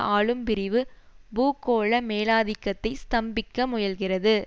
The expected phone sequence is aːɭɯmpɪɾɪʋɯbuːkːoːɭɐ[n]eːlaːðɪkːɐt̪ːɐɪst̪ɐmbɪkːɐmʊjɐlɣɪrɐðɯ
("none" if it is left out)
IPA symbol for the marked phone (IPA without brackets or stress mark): m